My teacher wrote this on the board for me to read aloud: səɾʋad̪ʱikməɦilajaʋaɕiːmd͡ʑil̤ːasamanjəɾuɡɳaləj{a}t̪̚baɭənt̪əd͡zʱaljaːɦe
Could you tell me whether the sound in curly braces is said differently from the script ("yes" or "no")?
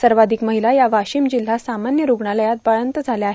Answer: no